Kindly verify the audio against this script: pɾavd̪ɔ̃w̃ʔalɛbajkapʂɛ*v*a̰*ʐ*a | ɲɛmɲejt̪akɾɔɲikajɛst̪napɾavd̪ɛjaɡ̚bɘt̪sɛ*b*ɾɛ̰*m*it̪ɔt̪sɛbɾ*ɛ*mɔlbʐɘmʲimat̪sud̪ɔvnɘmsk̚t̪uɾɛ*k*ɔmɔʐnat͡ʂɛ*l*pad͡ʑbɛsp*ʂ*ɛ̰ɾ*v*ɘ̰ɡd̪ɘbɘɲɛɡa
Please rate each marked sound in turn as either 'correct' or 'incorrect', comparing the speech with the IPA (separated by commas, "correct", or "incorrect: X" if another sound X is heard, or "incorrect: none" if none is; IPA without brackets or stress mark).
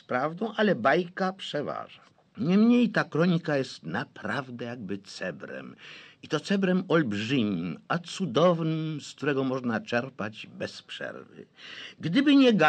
correct, correct, correct, correct, correct, incorrect: ɡ, incorrect: ɾ, correct, correct